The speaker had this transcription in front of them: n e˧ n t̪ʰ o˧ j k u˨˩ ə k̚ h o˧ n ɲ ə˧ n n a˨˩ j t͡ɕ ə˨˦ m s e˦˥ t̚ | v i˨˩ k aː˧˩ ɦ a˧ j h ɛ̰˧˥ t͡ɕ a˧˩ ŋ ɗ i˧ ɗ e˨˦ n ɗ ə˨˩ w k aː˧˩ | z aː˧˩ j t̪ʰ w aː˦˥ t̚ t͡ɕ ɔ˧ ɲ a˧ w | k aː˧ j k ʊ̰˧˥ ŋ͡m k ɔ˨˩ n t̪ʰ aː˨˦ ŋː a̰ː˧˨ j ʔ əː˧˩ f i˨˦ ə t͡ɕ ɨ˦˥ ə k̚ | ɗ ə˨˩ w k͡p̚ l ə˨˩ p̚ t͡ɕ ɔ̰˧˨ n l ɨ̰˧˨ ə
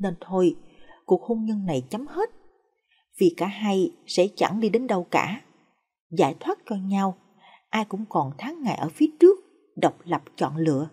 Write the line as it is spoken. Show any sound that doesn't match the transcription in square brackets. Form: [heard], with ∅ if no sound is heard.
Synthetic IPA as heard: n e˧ n t̪ʰ o˧ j k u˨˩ ə k̚ h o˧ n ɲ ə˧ n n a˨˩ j t͡ɕ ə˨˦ m [h] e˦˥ t̚ | v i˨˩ k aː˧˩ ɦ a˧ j [s] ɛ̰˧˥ t͡ɕ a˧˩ ŋ ɗ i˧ ɗ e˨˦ n ɗ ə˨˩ w k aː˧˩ | z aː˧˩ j t̪ʰ w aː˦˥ t̚ t͡ɕ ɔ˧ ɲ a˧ w | [ʔ] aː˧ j k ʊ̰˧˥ ŋ͡m k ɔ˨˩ n t̪ʰ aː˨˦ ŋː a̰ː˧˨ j ʔ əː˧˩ f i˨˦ ə t͡ɕ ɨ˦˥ ə k̚ | ɗ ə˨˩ w k͡p̚ l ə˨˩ p̚ t͡ɕ ɔ̰˧˨ n l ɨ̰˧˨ ə

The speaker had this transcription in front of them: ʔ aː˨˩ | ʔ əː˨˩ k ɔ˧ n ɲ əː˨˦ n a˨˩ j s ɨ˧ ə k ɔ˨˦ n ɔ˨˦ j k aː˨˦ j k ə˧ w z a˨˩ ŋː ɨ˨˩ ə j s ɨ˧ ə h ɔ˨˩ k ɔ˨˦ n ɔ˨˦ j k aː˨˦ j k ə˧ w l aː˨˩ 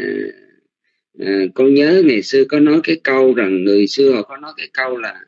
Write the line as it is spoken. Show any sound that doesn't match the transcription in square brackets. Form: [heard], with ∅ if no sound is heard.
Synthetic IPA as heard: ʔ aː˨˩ | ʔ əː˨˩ k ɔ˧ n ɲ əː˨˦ [ŋ] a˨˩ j s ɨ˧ ə k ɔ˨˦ n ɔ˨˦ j k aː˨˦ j k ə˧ w z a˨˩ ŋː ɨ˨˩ ə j s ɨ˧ ə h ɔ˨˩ k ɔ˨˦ n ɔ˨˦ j k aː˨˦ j k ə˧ w l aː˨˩

